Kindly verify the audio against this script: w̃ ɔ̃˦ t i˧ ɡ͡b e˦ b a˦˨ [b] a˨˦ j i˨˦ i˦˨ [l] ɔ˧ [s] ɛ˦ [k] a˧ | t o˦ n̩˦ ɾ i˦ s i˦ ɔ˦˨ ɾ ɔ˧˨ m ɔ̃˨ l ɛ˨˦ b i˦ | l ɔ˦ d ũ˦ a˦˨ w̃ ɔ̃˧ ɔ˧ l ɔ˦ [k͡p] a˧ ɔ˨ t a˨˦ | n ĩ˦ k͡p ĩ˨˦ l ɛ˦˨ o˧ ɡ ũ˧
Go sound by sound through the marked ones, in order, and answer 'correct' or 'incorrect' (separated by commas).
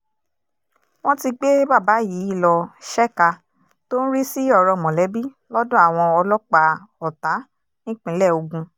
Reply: correct, correct, incorrect, correct, correct